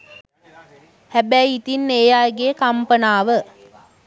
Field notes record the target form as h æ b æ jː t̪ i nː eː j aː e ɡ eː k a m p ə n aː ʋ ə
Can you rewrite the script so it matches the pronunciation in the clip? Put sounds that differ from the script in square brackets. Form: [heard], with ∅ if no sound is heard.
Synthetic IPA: h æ b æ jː t̪ i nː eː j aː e ɡ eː k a m p ə n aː ʋ ə